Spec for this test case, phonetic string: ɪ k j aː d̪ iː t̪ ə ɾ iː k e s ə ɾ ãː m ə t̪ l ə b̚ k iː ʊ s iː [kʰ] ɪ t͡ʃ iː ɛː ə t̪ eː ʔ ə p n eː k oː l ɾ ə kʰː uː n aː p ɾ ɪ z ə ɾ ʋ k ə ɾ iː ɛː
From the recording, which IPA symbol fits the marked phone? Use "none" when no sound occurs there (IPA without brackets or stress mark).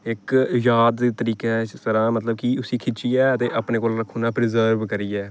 kʰ